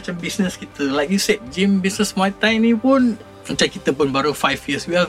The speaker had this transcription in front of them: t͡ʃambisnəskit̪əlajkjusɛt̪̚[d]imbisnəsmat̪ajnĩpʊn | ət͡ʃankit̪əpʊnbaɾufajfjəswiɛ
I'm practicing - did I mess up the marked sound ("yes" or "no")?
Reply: yes